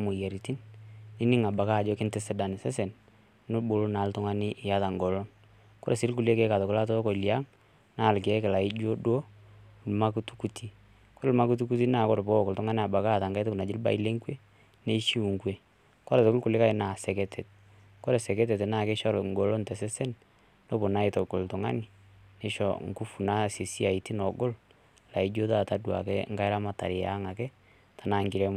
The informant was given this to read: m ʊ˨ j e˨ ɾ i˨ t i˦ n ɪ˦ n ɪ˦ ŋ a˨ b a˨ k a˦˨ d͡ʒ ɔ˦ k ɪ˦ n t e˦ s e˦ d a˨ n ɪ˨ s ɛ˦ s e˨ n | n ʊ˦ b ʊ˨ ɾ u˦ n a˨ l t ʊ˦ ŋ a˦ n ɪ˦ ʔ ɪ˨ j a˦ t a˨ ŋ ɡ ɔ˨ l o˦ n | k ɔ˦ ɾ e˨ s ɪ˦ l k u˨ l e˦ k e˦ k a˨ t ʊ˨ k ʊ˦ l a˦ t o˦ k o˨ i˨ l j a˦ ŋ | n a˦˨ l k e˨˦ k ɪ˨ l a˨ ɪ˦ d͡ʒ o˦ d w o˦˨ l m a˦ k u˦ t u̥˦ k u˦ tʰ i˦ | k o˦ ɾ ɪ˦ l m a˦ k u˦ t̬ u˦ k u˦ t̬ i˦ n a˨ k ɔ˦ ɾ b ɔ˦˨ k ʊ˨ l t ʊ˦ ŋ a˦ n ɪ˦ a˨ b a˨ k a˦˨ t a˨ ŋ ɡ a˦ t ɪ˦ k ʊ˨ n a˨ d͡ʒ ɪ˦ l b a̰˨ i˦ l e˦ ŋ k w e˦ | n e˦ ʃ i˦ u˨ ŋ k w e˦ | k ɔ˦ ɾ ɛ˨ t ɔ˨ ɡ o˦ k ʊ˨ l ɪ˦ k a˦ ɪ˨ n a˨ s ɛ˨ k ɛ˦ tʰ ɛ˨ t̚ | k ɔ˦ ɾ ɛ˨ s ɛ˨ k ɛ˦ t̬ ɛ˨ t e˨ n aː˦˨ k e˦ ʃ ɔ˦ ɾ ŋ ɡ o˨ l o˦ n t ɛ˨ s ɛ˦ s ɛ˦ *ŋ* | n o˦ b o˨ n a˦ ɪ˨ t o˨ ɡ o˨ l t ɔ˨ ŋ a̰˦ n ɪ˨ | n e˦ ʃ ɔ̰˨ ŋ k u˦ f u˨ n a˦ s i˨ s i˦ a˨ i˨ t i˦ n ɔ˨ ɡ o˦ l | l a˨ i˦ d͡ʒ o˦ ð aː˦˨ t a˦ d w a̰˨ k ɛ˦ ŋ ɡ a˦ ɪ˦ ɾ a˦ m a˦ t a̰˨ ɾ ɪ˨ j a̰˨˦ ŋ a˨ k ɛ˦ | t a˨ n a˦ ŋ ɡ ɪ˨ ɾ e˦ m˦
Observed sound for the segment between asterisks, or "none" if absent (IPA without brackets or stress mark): n